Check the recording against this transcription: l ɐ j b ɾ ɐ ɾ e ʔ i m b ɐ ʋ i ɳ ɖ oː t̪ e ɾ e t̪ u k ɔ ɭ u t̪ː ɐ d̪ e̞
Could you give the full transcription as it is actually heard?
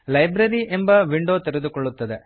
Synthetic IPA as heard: l ɐ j b ɾ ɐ ɾ i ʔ e m b ɐ ʋ i ɳ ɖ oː t̪ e ɾ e d̪ u k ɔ ɭː u t̪ː ɐ d̪ e̞